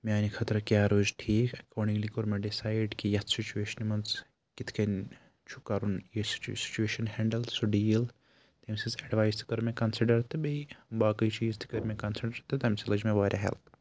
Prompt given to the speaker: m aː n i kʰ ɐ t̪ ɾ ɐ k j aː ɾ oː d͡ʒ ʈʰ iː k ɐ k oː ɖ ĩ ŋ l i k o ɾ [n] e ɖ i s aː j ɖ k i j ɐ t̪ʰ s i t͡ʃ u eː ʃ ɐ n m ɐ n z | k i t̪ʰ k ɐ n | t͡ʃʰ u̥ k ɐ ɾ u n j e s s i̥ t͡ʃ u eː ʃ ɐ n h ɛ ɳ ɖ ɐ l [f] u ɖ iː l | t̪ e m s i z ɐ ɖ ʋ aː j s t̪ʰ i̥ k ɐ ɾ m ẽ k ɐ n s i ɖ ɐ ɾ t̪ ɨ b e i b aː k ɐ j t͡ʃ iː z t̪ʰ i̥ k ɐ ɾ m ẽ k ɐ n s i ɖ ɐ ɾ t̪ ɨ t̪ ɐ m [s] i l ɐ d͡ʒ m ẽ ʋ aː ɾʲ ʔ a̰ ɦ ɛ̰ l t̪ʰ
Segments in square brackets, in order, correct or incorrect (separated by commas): incorrect, incorrect, correct